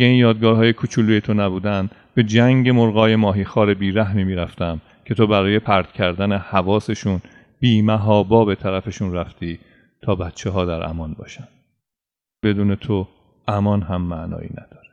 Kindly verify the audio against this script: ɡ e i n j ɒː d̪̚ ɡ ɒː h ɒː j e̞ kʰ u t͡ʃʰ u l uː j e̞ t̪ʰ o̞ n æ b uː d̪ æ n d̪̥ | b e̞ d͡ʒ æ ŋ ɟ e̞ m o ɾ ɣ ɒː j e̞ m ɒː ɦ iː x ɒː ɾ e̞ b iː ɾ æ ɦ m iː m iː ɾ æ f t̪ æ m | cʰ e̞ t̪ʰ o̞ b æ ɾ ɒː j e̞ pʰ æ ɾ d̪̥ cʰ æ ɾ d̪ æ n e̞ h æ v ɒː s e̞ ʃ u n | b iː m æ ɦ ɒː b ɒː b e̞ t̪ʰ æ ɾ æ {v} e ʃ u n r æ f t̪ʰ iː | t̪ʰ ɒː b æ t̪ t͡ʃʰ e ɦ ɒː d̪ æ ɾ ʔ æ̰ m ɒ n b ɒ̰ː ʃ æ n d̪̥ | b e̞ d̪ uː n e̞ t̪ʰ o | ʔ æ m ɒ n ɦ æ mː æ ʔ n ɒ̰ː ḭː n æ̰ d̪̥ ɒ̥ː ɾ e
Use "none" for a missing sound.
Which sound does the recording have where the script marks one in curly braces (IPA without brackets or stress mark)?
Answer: f